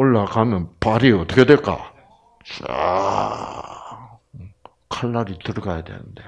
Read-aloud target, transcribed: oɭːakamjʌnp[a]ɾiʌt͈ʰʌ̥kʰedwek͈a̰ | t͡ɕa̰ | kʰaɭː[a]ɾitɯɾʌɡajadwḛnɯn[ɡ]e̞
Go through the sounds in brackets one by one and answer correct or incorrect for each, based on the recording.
correct, correct, incorrect: d

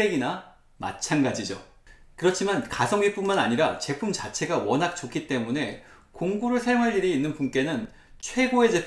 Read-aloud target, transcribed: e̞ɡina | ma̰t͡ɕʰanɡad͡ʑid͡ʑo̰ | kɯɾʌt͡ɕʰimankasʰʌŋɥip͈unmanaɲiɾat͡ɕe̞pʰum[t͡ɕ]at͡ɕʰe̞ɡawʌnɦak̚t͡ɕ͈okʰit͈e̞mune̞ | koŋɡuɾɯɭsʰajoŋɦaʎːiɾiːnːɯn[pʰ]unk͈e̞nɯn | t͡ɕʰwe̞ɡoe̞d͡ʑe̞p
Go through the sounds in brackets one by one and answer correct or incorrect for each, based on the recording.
correct, incorrect: p

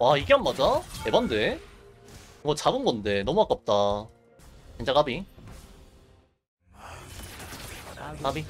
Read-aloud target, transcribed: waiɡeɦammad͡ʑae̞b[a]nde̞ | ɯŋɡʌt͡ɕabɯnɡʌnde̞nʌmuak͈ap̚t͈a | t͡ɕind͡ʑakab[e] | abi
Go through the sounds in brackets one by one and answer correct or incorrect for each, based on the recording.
correct, incorrect: i

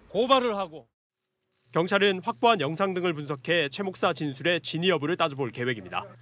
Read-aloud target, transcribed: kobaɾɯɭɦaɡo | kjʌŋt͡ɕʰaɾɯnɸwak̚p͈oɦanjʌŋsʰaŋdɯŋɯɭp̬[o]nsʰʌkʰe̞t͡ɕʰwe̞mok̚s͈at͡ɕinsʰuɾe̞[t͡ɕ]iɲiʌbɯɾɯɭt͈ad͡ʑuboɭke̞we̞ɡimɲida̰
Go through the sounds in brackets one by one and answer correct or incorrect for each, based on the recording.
incorrect: u, correct

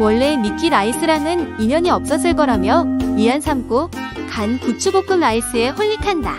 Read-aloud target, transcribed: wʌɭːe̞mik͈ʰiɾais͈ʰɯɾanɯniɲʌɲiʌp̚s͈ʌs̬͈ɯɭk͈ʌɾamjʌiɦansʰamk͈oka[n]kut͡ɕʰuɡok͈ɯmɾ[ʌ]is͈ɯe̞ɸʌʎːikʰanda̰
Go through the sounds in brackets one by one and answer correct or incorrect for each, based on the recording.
correct, incorrect: a

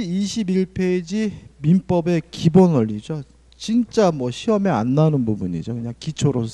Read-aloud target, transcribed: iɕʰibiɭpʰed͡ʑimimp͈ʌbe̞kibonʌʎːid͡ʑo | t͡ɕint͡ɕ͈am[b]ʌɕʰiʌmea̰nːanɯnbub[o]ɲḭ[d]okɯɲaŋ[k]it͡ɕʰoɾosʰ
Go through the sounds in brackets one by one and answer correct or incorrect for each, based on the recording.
incorrect: w, incorrect: u, incorrect: d͡ʑ, correct

